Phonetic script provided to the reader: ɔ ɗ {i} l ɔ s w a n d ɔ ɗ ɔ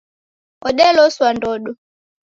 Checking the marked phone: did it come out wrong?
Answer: yes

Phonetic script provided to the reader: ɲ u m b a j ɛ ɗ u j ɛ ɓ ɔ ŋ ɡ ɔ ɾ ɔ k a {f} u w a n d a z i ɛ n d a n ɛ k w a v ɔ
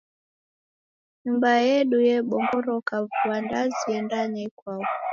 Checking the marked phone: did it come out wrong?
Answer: yes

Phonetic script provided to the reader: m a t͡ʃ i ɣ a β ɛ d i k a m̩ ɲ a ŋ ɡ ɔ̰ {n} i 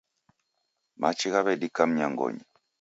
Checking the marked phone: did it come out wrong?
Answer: yes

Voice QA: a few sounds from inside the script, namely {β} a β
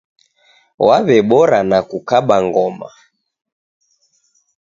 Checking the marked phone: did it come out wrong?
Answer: yes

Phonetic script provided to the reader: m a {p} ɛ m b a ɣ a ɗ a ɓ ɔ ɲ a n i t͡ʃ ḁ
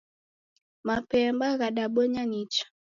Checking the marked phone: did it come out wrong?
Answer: no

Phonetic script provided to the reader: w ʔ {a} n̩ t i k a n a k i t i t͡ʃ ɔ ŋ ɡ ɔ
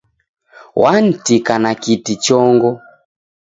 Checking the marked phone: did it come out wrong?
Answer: no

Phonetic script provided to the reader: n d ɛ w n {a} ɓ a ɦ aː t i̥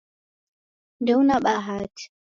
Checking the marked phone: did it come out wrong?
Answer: no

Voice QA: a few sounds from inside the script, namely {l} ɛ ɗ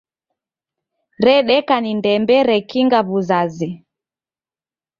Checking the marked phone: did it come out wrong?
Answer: yes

